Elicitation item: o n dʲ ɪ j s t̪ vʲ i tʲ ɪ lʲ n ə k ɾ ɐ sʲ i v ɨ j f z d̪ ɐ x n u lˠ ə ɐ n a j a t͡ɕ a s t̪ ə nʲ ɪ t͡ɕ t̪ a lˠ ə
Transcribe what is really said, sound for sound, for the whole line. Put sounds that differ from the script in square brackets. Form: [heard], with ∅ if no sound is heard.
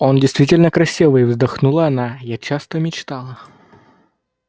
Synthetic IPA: o n dʲ ɪ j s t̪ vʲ i tʲ ɪ lʲ n ə k ɾ ɐ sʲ i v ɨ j [v] z d̪ ɐ x n u lˠ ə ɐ n a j a t͡ɕ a s t̪ ə [mʲ] ɪ t͡ɕ t̪ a lˠ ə